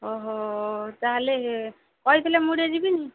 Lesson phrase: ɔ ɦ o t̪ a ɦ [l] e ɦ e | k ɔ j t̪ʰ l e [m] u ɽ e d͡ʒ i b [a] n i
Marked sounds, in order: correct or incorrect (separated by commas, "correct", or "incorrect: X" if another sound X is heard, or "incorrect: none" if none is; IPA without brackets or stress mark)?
correct, correct, incorrect: i